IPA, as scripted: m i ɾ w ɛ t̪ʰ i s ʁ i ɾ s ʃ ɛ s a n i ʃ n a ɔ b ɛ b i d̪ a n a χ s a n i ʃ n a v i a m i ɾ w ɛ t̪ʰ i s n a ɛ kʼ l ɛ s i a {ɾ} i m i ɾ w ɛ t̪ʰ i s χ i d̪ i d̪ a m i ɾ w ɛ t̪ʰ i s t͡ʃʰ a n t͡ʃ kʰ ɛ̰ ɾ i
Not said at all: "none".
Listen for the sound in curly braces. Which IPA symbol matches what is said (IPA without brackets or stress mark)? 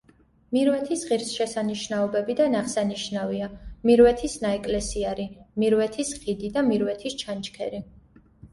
ɾ